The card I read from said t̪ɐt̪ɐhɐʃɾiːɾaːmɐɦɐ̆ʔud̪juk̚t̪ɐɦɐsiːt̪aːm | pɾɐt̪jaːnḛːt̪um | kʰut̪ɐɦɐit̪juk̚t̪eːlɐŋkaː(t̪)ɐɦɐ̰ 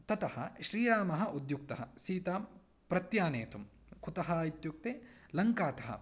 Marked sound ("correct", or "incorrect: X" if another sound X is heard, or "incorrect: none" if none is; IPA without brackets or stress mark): correct